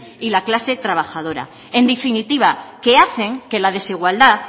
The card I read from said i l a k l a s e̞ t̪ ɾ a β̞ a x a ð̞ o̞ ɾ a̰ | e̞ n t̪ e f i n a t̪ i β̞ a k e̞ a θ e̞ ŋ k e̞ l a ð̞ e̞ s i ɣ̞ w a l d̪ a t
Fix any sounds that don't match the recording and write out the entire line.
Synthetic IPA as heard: i l a k l a s e̞ t̪ ɾ a β̞ a x a ð̞ o̞ ɾ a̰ | e̞ n d̪ e f i n i t̪ i β̞ a k e̞ a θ e̞ ŋ k e̞ l a ð̞ e̞ s i ɣ̞ w a l d̪ a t